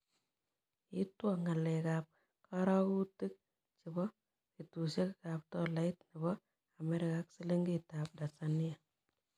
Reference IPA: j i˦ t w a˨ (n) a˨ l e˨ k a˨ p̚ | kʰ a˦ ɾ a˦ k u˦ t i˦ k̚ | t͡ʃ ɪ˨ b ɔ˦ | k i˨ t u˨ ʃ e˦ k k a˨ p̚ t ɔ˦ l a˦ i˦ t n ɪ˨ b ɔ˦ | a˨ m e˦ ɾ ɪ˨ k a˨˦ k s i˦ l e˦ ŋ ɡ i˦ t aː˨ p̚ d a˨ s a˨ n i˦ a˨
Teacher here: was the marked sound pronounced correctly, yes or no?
no